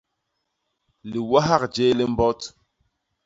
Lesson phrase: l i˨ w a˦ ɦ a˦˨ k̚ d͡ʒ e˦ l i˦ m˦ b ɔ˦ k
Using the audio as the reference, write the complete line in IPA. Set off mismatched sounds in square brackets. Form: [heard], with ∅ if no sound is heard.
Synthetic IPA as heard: l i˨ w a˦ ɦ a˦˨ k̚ d͡ʒ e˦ l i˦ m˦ b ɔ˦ [t]

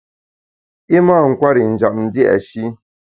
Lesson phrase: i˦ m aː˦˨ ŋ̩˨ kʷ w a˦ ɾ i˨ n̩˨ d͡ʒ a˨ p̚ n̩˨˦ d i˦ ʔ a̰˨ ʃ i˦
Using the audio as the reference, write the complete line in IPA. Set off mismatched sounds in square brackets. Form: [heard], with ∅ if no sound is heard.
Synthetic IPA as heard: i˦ m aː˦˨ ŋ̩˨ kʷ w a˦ ɾ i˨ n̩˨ d͡ʒ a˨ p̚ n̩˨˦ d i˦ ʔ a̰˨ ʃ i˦

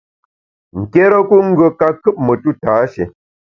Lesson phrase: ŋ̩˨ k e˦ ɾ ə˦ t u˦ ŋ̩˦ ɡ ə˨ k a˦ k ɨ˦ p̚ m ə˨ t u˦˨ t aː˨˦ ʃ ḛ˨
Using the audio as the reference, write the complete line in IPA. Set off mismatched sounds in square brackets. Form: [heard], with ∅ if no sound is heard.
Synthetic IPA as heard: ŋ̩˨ k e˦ ɾ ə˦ [k] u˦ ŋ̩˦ ɡ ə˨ k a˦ k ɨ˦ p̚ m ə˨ t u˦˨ t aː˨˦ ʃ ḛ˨

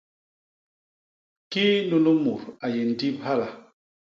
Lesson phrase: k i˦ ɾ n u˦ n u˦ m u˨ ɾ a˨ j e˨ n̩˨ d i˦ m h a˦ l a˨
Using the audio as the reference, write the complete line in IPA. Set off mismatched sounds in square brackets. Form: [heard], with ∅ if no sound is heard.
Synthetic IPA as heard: k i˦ [∅] n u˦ n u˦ m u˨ ɾ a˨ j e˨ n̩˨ d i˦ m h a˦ l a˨

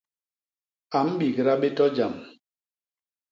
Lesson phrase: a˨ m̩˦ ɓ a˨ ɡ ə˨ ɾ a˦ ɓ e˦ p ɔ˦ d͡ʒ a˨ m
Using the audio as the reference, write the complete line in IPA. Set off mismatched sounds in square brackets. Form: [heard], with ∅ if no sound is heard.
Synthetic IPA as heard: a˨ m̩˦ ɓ [i˨] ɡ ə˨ ɾ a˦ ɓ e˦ [t] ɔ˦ d͡ʒ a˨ m

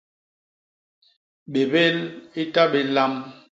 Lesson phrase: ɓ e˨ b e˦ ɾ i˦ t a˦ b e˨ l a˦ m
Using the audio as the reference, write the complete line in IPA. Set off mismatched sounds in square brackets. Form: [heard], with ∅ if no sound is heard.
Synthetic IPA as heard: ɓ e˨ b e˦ [l] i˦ t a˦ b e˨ l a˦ m

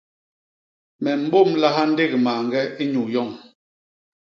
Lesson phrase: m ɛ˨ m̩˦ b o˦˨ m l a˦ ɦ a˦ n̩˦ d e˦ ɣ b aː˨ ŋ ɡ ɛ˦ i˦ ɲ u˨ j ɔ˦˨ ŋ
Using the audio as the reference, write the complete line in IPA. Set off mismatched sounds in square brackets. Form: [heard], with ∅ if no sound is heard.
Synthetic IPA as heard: m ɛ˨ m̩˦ b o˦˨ m l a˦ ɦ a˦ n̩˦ d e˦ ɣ [m] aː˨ ŋ ɡ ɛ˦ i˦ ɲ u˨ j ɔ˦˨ ŋ

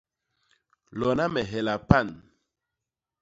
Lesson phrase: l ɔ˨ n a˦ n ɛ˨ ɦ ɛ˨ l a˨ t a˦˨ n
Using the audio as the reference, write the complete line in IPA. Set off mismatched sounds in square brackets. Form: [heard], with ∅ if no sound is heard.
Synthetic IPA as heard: l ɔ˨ n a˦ [m] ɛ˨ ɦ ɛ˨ l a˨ [p] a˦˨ n

